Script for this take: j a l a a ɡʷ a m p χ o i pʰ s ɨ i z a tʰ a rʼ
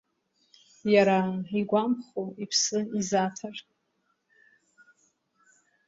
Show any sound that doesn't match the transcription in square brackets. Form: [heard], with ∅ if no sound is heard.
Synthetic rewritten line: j a [ɾ] a [i] ɡʷ a m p χ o i pʰ s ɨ i z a tʰ a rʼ